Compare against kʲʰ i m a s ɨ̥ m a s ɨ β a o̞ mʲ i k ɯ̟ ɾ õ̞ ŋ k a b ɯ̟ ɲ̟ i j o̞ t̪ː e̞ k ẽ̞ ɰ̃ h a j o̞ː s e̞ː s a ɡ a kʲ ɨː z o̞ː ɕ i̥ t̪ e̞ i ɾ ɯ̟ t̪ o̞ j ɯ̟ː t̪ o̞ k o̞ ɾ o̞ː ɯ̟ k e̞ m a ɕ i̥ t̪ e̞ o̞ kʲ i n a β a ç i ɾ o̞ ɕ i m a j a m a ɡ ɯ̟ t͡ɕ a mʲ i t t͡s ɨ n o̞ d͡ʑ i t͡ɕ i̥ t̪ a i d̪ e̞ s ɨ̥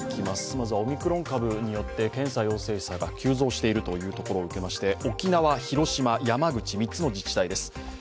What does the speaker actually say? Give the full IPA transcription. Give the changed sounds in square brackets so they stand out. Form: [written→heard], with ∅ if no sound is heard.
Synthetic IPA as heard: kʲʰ i m a s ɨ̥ m a [s→z] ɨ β a o̞ mʲ i k ɯ̟ ɾ õ̞ ŋ k a b ɯ̟ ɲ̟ i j o̞ t̪ː e̞ k ẽ̞ ɰ̃ [h→s] a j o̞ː s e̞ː s a ɡ a kʲ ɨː z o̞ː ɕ i̥ t̪ e̞ i ɾ ɯ̟ t̪ o̞ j ɯ̟ː t̪ o̞ k o̞ ɾ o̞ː ɯ̟ k e̞ m a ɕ i̥ t̪ e̞ o̞ kʲ i n a β a ç i ɾ o̞ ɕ i m a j a m a ɡ ɯ̟ t͡ɕ [a→i] mʲ i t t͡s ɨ n o̞ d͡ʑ i t͡ɕ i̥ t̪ a i d̪ e̞ s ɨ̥

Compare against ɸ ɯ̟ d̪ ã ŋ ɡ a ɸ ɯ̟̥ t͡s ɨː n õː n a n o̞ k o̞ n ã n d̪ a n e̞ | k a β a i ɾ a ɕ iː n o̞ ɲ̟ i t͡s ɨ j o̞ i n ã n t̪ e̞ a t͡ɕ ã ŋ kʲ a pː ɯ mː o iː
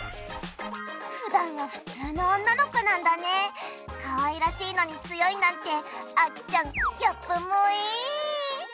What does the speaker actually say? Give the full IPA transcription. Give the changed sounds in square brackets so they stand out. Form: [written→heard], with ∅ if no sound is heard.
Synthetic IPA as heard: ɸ ɯ̟ d̪ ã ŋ ɡ a ɸ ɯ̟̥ t͡s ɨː n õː [n→nː] a n o̞ k o̞ n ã n d̪ a n e̞ | k a β a i ɾ a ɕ iː n o̞ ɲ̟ i t͡s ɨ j o̞ i n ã n t̪ e̞ a t͡ɕ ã ŋ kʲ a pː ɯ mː o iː

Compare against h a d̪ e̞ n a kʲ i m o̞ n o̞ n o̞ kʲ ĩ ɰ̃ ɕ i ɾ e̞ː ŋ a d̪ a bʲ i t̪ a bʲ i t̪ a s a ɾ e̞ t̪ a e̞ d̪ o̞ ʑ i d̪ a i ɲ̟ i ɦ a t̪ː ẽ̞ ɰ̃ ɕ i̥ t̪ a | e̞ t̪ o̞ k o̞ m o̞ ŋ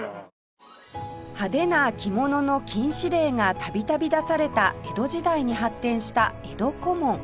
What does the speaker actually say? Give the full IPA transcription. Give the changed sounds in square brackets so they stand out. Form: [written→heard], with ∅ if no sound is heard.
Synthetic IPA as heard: h a d̪ e̞ n a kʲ i m o̞ n o̞ n o̞ kʲ ĩ ɰ̃ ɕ i ɾ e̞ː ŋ a [d̪→t̪] a bʲ i t̪ a bʲ i [t̪→d̪] a s a ɾ e̞ t̪ a e̞ d̪ o̞ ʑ i d̪ a i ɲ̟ i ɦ a t̪ː ẽ̞ ɰ̃ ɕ i̥ t̪ a | e̞ [t̪→d̪] o̞ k o̞ m [o̞→õ̞] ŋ

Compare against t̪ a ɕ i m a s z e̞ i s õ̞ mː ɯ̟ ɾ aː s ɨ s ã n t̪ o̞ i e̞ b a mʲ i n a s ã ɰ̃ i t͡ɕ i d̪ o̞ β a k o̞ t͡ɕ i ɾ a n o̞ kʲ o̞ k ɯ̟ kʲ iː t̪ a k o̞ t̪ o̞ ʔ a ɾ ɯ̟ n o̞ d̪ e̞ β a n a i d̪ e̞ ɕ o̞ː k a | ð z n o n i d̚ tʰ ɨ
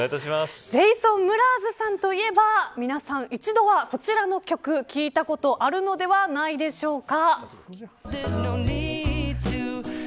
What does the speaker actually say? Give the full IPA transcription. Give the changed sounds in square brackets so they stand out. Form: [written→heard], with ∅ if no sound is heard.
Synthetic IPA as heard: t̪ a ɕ i m a s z e̞ i s õ̞ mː ɯ̟ ɾ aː [s→z] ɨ s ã n t̪ o̞ i e̞ b a mʲ i n a s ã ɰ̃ i t͡ɕ i d̪ o̞ β a k o̞ t͡ɕ i ɾ a n o̞ kʲ o̞ k ɯ̟ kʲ iː t̪ a k o̞ t̪ o̞ ʔ a ɾ ɯ̟ n o̞ d̪ e̞ β a n a i d̪ e̞ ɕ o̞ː k a | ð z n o n i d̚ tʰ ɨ

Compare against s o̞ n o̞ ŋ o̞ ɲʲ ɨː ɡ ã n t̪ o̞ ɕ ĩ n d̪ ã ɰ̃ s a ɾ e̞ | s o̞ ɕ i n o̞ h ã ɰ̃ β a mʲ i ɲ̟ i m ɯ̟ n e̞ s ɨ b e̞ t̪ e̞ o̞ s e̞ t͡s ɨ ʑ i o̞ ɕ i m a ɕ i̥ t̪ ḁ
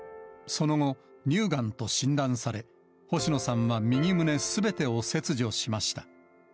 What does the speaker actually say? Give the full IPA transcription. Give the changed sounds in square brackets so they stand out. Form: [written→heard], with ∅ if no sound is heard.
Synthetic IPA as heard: s o̞ n o̞ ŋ o̞ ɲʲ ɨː ɡ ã n t̪ o̞ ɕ ĩ n d̪ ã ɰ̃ s a ɾ e̞ | [s→h] o̞ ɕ i n o̞ [h→s] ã ɰ̃ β a mʲ i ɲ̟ i m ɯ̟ n e̞ s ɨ b e̞ t̪ e̞ o̞ s e̞ t͡s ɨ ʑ i o̞ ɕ i m a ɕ i̥ t̪ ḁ

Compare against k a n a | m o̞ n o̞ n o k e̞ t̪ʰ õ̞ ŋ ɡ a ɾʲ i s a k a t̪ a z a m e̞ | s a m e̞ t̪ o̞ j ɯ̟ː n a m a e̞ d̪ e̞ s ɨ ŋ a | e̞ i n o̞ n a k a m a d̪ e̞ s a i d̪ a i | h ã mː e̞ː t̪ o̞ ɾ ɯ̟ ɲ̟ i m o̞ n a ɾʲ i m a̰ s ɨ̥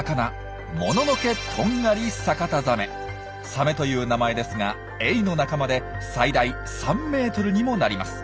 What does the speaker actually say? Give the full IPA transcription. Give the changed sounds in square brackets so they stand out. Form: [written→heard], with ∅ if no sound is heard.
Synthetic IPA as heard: k a n a | m o̞ n o̞ n o k e̞ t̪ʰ õ̞ ŋ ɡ a ɾʲ i s a k a t̪ a z a m e̞ | s a m e̞ t̪ o̞ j ɯ̟ː n a m a e̞ d̪ e̞ s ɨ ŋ a | e̞ i n o̞ n a k a m a d̪ e̞ s a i d̪ a i | [h→s] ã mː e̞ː t̪ o̞ ɾ ɯ̟ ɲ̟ i m o̞ n a ɾʲ i m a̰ s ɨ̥

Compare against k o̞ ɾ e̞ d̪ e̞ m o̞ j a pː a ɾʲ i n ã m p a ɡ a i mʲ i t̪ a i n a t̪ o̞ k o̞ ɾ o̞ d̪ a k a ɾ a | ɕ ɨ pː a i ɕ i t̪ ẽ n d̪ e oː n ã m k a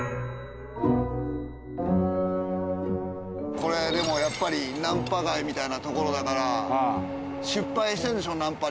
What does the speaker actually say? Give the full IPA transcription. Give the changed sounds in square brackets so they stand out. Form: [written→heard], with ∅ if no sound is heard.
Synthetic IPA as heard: k o̞ ɾ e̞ d̪ e̞ m o̞ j a pː a ɾʲ i n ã m p a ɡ a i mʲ i t̪ a i n a t̪ o̞ k o̞ ɾ o̞ d̪ a k a ɾ a | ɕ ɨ pː a i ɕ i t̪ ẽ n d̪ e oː n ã m [k→p] a

